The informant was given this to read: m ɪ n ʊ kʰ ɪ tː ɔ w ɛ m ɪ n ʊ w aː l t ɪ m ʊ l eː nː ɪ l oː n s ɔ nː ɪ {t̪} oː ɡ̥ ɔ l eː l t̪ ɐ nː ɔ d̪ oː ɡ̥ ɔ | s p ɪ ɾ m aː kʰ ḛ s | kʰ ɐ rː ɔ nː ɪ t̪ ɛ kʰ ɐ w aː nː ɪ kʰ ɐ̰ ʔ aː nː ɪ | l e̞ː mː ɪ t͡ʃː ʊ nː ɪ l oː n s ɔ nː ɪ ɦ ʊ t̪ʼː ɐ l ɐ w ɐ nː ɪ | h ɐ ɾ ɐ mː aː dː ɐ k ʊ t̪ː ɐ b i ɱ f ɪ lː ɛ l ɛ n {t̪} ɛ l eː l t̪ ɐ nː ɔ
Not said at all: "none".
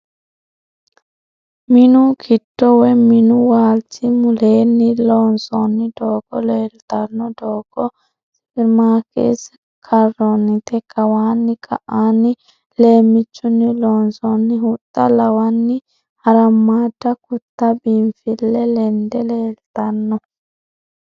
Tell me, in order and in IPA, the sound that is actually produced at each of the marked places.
d̪, d̪

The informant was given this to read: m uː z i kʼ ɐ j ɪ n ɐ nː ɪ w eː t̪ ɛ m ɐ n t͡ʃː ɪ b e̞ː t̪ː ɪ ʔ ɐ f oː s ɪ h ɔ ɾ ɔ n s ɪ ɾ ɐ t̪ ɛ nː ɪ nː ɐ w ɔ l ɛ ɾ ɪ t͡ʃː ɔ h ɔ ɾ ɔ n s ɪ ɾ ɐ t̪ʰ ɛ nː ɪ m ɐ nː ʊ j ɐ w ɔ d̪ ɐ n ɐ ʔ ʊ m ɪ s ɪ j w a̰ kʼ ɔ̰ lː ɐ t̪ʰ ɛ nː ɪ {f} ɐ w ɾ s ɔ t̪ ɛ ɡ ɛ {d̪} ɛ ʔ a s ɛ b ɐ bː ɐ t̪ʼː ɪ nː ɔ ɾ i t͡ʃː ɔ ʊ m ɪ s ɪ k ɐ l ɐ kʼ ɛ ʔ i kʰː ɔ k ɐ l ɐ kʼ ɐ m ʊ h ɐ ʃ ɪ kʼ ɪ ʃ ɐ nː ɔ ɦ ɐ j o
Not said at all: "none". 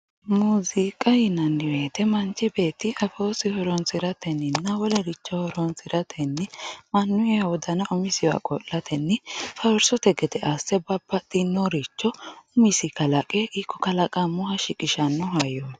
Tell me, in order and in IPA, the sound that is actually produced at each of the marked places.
f, t̪

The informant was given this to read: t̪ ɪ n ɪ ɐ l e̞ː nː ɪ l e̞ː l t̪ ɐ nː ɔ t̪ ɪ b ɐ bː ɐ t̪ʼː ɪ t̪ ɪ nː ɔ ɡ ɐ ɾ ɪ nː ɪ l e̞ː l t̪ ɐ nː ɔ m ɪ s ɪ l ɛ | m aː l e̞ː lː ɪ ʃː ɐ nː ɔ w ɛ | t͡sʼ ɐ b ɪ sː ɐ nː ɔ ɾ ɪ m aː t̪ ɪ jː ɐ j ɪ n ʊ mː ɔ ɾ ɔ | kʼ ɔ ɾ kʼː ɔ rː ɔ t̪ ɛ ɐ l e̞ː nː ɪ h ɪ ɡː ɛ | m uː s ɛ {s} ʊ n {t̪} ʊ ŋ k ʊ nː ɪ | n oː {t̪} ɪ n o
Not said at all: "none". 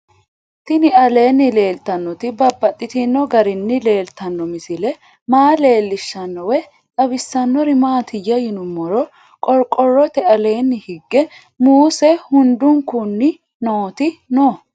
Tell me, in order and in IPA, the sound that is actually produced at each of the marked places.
h, d̪, t̪

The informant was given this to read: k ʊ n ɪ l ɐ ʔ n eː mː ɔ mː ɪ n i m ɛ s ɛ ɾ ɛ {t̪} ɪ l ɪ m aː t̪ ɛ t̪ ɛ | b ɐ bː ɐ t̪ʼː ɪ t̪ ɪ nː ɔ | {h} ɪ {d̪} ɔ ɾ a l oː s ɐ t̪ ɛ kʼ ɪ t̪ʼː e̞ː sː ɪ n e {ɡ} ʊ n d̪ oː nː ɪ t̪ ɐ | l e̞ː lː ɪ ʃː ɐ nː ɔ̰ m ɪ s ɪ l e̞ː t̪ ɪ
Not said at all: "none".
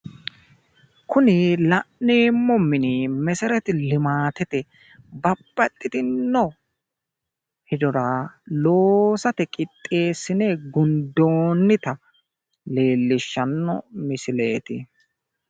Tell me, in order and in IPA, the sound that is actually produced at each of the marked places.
t̪, h, d̪, ɡ

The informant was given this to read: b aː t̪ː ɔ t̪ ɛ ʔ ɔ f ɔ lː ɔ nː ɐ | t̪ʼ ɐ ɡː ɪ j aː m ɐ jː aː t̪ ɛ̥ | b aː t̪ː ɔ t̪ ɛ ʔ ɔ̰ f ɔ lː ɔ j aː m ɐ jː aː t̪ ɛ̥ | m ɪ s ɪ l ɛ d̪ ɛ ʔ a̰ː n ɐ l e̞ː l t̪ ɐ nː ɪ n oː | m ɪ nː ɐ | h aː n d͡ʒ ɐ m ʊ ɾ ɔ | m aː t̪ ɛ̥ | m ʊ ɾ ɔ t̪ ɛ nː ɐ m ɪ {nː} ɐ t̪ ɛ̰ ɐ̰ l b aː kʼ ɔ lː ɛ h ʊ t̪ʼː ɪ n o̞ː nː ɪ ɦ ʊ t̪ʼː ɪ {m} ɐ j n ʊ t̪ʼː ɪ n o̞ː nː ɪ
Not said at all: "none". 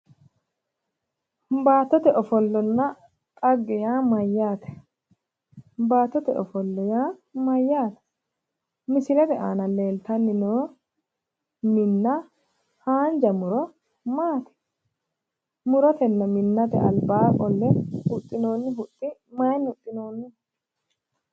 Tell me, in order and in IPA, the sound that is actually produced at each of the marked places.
nː, m

